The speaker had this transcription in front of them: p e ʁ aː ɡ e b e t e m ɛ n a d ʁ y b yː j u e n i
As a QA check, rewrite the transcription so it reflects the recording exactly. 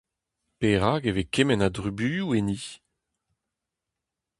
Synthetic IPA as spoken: p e ʁ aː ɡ e v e k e m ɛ n a d ʁ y b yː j u e n i